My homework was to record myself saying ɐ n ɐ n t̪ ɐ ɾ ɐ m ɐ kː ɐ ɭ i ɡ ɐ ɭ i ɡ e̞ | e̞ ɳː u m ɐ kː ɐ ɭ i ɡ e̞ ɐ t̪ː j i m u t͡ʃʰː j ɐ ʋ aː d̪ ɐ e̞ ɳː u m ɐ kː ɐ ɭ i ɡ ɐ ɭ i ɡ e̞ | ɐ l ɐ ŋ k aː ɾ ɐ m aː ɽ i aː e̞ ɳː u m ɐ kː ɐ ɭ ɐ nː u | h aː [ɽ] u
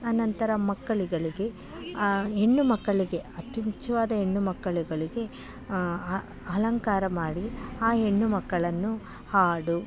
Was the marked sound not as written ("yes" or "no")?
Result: no